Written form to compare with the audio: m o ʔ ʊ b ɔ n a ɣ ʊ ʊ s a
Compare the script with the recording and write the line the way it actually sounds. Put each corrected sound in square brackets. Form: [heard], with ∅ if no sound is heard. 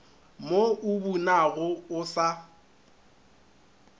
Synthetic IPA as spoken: m o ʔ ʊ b [u] n a ɣ ʊ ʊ s a